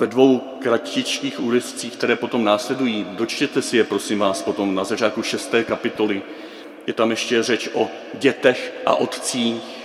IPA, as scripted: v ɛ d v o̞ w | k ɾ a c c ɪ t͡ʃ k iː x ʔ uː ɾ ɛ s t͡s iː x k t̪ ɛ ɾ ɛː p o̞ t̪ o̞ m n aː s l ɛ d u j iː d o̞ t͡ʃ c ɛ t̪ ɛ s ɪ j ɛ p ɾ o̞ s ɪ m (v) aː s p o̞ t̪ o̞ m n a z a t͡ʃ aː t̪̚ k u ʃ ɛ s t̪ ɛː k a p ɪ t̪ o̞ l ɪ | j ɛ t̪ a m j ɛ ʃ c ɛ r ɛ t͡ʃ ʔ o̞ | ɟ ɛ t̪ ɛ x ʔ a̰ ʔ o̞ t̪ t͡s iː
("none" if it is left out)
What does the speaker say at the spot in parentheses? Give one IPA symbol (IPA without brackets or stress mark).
v